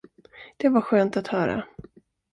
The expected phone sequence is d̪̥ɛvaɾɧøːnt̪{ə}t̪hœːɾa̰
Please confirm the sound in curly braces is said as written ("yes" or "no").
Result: no